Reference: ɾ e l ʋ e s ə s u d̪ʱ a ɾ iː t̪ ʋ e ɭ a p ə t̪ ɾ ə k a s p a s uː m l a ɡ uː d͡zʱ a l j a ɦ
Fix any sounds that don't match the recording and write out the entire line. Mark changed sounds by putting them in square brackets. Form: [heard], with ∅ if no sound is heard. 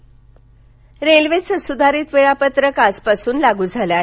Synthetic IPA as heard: ɾ e l ʋ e s ə s u d̪ʱ a ɾ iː t̪ ʋ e ɭ a p ə t̪ ɾ ə k a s p a s uː [n] l a ɡ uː d͡zʱ a l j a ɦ